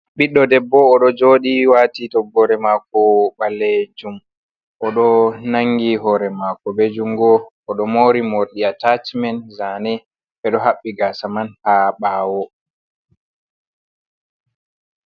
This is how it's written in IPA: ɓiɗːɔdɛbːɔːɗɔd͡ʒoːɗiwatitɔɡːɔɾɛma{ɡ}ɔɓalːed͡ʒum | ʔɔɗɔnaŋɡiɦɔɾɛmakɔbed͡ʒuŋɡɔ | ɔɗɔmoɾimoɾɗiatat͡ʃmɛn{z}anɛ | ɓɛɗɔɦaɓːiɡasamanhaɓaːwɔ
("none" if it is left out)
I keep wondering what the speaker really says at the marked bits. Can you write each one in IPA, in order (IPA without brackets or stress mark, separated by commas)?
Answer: k, z